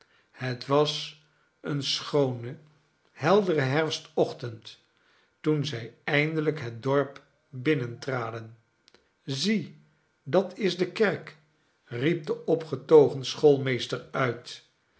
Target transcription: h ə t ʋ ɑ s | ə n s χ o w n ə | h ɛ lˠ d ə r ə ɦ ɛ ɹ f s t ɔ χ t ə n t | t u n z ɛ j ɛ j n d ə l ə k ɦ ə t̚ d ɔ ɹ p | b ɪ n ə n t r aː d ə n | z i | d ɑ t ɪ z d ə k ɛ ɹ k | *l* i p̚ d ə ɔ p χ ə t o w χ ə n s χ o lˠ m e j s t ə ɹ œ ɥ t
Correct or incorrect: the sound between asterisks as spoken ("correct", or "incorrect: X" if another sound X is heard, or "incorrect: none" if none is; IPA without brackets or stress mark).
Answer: incorrect: r